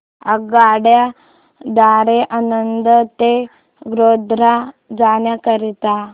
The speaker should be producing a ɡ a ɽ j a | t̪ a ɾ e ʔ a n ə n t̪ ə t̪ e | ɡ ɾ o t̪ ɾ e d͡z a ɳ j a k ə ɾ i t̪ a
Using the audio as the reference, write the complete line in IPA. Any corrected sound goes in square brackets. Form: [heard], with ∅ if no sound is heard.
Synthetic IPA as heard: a ɡ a ɽ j a | [d̪] a ɾ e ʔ a n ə n [d̪] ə t̪ e | ɡ ɾ o [d̪] ɾ [a] d͡z a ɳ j a k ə ɾ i t̪ a